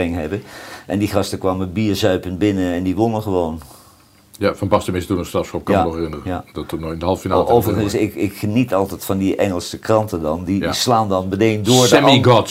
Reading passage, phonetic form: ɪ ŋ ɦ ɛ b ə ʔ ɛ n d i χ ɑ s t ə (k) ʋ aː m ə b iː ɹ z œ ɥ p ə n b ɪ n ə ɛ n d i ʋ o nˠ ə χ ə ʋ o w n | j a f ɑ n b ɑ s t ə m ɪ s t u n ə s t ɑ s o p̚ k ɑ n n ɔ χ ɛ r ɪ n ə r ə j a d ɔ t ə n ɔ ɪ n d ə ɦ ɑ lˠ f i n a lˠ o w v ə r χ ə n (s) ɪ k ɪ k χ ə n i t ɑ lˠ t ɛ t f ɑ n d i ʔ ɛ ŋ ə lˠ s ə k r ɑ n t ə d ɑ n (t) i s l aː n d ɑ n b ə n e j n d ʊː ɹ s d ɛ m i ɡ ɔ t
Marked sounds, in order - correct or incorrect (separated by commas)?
correct, correct, incorrect